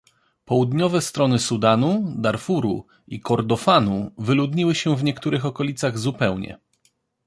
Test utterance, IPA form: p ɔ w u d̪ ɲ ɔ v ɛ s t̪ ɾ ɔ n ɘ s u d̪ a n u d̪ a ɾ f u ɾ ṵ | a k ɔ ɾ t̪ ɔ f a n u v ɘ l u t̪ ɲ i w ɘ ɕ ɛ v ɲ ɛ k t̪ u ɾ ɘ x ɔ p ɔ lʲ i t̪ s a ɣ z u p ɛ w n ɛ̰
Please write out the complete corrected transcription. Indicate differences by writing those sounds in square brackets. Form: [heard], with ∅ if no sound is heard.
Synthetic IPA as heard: p ɔ w u d̪ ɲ ɔ v ɛ s t̪ ɾ ɔ n ɘ s u d̪ a n u d̪ a ɾ f u ɾ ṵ | [i] k ɔ ɾ [d̪] ɔ f a n u v ɘ l u [d̪] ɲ i w ɘ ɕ ɛ v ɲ ɛ k t̪ u ɾ ɘ x ɔ [k] ɔ lʲ i t̪ s a ɣ z u p ɛ w [ɲ] ɛ̰